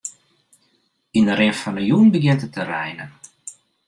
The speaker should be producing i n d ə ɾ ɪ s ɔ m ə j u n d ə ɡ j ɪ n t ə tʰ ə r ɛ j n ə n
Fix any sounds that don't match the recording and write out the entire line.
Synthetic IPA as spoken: i n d ə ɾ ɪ f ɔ n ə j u n b ə ɡ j ɪ n t ə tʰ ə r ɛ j n ə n